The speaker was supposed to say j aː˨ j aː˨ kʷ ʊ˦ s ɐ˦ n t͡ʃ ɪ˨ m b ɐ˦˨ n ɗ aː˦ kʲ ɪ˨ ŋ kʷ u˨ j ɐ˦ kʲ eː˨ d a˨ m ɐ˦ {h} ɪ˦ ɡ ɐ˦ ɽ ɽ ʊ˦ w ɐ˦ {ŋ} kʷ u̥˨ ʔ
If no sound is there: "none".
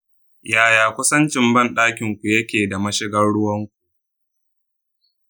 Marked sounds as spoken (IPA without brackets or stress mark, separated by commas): ʃ, ŋ